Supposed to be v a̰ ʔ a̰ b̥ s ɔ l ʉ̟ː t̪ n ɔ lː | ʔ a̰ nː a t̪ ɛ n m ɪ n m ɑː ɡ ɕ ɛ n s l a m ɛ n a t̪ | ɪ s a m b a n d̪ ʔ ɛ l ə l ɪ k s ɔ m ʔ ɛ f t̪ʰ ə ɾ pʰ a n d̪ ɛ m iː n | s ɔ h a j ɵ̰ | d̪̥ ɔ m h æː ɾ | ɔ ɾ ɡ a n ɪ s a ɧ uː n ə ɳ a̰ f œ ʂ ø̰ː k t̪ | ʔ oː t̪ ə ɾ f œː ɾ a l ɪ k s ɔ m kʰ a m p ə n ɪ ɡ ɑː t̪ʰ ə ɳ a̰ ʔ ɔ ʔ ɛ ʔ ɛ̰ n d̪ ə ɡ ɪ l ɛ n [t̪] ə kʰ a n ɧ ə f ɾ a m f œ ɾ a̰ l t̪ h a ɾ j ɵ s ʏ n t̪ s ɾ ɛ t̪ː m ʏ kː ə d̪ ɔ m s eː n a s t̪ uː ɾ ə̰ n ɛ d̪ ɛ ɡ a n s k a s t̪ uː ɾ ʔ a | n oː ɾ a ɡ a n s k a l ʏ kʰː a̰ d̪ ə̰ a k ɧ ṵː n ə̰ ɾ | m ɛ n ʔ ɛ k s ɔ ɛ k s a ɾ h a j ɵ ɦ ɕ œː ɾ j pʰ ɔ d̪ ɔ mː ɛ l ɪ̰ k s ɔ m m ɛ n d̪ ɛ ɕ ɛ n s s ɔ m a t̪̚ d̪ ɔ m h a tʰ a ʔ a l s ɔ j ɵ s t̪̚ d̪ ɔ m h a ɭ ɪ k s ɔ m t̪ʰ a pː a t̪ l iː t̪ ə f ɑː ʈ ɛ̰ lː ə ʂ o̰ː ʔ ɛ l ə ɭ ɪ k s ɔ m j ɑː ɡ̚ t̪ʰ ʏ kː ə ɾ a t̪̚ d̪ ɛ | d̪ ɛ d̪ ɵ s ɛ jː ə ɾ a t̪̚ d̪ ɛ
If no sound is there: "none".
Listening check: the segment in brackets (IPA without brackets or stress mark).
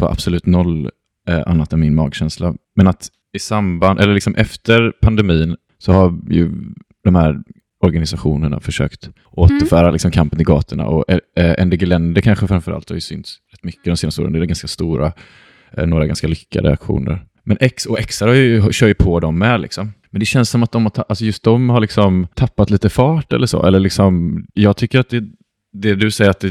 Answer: d̪